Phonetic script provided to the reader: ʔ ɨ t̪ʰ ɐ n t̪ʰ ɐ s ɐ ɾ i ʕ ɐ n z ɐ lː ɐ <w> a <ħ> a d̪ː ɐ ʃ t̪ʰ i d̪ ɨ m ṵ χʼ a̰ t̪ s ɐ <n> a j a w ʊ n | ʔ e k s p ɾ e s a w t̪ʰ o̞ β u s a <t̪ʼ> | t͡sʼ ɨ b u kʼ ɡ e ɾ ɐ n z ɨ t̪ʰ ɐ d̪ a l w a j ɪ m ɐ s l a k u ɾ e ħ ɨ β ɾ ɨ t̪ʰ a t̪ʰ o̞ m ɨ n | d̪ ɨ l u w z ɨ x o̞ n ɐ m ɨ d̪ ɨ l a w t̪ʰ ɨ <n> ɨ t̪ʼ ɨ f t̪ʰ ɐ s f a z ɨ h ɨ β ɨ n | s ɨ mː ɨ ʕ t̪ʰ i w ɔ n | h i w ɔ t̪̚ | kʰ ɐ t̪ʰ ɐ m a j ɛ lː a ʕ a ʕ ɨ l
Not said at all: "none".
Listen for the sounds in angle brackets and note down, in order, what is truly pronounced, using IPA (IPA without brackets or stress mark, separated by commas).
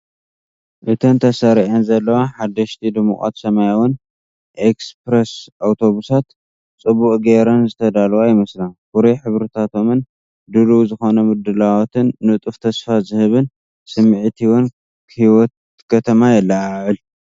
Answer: w, ħ, m, t̪, nː